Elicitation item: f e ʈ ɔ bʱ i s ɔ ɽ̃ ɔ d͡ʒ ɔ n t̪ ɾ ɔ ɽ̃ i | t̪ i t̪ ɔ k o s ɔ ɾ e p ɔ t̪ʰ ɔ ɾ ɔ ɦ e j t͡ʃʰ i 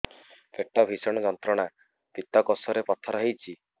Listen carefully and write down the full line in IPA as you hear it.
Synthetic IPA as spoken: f e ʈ ɔ bʱ i s ɔ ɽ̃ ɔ d͡ʒ ɔ n t̪ ɾ ɔ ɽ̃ a | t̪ i t̪ ɔ k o s ɔ ɾ e p ɔ t̪ʰ ɔ ɾ ɔ ɦ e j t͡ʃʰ i